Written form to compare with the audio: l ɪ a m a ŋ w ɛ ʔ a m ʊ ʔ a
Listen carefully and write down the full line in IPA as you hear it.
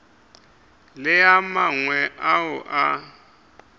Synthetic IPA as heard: l ɪ a m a ŋ w ɛ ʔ a ʊ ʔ a